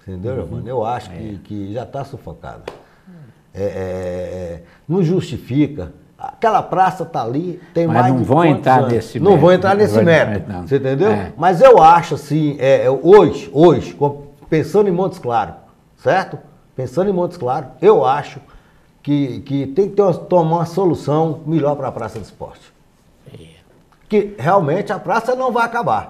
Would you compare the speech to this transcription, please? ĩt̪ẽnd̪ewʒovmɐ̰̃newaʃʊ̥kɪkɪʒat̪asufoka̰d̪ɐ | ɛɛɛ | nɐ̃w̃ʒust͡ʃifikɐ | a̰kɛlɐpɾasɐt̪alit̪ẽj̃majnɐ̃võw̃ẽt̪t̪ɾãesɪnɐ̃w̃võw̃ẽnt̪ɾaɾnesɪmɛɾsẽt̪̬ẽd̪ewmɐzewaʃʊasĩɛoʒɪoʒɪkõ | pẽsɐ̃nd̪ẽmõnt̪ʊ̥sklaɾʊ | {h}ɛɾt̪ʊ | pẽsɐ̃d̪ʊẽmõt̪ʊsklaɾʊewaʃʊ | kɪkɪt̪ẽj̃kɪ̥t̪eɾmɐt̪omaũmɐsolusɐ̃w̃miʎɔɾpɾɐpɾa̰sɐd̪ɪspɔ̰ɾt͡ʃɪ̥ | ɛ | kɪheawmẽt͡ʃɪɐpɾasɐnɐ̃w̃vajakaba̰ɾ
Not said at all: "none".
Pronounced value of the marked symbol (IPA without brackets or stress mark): s